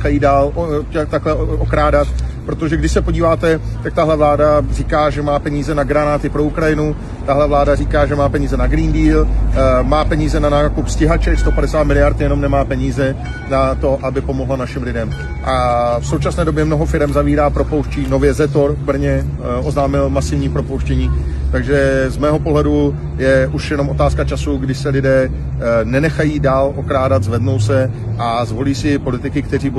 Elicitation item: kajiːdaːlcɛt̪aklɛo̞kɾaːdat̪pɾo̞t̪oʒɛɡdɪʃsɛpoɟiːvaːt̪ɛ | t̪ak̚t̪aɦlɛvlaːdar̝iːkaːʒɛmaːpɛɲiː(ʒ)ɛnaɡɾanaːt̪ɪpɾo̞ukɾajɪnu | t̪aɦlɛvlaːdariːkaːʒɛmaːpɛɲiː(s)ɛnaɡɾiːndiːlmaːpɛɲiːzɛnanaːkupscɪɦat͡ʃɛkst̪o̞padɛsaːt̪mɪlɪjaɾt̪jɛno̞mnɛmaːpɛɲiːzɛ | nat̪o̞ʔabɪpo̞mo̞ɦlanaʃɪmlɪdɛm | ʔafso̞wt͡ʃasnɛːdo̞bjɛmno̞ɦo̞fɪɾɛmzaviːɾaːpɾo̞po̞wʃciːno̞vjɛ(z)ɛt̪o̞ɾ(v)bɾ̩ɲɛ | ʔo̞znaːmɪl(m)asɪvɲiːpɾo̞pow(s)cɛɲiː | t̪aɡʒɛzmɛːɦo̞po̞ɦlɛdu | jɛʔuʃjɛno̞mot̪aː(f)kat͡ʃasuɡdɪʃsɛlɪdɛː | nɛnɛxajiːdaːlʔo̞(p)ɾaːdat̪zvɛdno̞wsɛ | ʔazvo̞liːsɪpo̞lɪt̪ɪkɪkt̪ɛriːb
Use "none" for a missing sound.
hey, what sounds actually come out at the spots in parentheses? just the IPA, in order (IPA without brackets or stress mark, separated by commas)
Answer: z, z, z, v, m, ʃ, s, k